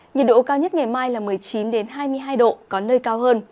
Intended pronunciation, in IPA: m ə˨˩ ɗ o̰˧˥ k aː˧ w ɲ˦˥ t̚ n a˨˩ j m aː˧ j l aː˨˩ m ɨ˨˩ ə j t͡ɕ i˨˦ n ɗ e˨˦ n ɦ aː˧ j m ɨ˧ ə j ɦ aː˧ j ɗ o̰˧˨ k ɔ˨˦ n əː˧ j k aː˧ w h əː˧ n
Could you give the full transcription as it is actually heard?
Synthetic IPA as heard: ɲ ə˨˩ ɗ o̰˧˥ k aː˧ w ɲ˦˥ t̚ ŋ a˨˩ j m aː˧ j l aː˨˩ m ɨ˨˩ ə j t͡ɕ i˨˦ n ɗ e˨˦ n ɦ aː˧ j m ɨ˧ ə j ɦ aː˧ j ɗ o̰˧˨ k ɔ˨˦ n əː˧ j k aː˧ w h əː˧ n